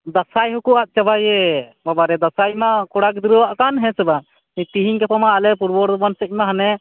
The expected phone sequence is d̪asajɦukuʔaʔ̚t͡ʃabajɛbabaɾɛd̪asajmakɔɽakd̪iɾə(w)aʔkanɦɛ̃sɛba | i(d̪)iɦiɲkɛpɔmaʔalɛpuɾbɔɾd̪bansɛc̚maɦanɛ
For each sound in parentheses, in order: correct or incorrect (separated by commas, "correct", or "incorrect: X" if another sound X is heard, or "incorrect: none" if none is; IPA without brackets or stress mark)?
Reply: correct, incorrect: t̪